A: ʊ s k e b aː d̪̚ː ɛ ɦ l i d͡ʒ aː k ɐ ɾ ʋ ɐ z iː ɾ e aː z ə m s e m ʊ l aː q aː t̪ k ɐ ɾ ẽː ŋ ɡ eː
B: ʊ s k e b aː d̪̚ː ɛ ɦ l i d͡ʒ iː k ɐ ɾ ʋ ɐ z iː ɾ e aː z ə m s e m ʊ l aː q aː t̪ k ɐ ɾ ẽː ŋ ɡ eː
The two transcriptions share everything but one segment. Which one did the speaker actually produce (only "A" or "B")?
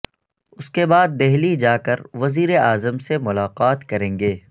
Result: A